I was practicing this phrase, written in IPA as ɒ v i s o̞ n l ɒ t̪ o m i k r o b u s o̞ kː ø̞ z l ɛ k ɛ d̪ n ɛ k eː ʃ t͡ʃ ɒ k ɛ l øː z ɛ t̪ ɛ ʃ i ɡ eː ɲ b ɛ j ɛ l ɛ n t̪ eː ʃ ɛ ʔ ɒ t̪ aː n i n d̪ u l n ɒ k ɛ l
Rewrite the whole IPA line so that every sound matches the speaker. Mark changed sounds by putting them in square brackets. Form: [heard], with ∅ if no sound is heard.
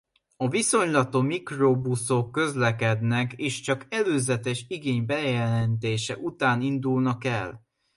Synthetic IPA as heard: ɒ v i s o̞ [ɲ] l ɒ t̪ o m i k r o b u s o̞ kː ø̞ z l ɛ k ɛ d̪ n ɛ k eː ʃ t͡ʃ ɒ k ɛ l øː z ɛ t̪ ɛ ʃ i ɡ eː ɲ b ɛ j ɛ l ɛ n t̪ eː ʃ ɛ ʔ [u] t̪ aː n i n d̪ u l n ɒ k ɛ l